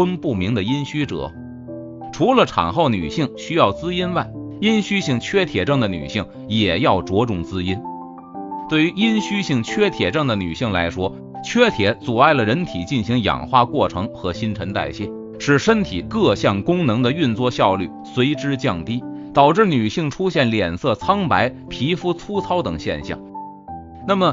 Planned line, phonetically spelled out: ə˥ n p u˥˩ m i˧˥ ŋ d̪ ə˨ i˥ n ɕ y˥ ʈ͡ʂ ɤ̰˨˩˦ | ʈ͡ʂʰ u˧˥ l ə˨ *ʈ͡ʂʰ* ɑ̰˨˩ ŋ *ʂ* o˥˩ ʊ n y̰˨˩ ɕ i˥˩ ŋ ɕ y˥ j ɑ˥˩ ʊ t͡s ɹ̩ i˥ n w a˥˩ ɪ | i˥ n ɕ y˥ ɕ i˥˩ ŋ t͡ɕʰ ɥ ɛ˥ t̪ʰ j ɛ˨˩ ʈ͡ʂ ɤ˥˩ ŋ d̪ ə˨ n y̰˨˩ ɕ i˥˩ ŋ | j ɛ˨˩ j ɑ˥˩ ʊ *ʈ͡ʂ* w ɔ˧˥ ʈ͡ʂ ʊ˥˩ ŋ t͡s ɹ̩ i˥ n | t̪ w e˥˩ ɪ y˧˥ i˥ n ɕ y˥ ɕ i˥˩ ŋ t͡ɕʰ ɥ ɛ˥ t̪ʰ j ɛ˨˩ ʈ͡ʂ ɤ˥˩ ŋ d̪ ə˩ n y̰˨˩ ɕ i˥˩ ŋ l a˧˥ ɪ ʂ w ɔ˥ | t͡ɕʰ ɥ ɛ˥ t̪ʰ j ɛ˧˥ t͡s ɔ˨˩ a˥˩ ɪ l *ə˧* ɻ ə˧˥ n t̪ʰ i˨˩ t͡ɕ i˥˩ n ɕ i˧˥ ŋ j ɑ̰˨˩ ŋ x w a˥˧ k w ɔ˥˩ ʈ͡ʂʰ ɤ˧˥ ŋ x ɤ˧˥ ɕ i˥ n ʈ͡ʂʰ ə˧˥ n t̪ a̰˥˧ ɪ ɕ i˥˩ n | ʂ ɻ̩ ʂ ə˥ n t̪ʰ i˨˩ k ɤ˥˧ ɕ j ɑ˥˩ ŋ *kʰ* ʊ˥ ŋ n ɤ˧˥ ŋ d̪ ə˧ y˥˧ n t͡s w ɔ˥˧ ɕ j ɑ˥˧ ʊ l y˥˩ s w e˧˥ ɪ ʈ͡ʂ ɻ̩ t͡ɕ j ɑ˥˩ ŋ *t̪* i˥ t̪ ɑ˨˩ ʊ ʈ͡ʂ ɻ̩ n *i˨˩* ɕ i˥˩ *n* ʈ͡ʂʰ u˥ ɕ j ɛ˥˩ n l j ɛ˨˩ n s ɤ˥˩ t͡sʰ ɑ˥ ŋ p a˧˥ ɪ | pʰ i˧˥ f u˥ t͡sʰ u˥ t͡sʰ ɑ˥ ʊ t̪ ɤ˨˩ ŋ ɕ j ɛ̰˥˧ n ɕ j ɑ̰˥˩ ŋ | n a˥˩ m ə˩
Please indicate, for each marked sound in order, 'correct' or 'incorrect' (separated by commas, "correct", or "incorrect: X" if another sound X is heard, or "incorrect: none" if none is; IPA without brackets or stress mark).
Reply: correct, incorrect: x, correct, incorrect: ə˩, incorrect: k, correct, incorrect: y˨˩, incorrect: ŋ